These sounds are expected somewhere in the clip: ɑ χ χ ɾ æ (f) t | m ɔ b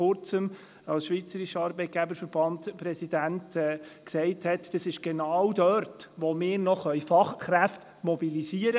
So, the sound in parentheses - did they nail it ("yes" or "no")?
yes